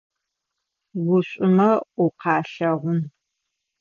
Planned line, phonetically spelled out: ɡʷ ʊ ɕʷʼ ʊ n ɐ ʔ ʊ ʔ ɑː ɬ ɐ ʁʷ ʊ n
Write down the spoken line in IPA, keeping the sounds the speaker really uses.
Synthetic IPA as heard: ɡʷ ʊ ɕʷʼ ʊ m ɐ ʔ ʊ q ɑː ɬ ɐ ʁʷ ʊ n